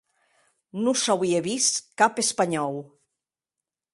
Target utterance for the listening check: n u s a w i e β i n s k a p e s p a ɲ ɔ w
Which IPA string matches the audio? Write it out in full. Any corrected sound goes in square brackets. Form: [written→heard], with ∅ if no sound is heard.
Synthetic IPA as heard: n u s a w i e β i [n→∅] s k a p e s p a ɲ ɔ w